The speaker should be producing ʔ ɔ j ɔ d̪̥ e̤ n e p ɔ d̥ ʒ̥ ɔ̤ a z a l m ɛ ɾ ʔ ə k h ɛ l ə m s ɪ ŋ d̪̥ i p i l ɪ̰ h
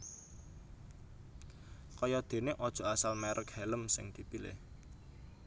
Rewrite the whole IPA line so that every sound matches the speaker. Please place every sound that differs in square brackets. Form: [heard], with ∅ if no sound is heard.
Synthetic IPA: [k] ɔ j ɔ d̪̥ e̤ n e [ʔ] ɔ d̥ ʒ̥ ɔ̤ a [s] a l m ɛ ɾ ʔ ə k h ɛ l ə m s ɪ ŋ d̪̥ i p i l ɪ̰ h